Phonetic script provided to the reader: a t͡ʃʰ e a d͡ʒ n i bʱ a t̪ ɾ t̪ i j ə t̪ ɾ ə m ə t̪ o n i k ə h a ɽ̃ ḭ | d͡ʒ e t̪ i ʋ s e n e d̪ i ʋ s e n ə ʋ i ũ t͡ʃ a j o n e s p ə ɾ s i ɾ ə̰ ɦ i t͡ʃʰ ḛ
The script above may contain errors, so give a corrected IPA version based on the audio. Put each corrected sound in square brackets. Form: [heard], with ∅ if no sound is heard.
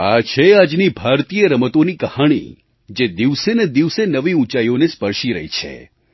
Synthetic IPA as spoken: a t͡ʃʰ e a d͡ʒ n i bʱ a [∅] ɾ t̪ i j ə [∅] ɾ ə m ə t̪ o n i k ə h a ɽ̃ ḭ | d͡ʒ e [d̪] i ʋ s e n e d̪ i ʋ s e n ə ʋ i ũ t͡ʃ a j o n e s p ə ɾ [ʃ] i ɾ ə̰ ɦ i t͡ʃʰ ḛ